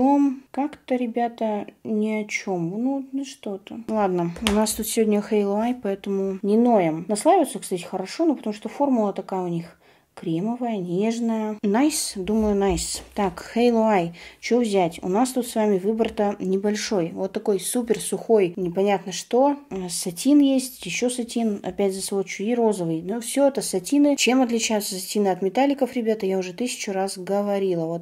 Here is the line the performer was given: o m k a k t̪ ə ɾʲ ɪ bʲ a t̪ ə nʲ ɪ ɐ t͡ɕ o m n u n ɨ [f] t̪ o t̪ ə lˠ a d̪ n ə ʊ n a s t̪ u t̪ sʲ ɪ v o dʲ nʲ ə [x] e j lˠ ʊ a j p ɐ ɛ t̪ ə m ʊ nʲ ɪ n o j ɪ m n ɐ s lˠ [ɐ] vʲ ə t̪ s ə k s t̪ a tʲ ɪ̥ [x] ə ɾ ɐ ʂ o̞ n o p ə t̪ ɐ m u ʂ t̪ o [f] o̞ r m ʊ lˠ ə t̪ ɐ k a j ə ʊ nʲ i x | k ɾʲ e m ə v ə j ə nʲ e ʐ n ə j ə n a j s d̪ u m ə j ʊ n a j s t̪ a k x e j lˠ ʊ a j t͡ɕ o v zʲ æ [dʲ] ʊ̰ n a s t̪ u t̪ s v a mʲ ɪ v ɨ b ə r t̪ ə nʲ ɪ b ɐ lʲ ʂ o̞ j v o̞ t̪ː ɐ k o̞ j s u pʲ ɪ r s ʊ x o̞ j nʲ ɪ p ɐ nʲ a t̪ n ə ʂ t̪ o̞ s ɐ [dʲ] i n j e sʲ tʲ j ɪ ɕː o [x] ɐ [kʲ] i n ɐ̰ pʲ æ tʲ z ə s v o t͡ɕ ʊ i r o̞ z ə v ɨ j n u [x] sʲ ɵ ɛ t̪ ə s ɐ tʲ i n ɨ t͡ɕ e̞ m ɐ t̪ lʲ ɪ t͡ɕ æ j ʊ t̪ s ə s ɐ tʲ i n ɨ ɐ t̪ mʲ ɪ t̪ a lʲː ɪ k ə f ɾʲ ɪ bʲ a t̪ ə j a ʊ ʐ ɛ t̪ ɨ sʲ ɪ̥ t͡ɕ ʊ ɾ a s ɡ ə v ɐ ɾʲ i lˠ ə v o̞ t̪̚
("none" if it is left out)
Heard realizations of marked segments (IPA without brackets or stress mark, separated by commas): ʂ, x, a, x, f, tʲ, tʲ, s, tʲ, f